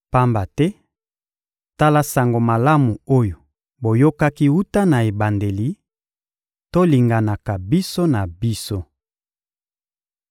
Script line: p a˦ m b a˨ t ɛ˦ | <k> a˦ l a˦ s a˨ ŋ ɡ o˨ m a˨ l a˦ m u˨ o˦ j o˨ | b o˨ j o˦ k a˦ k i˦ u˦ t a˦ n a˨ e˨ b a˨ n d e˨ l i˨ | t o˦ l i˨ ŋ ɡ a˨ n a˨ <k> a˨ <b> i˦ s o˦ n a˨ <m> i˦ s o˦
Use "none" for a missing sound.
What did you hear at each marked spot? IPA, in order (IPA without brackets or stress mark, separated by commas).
t, k, b, b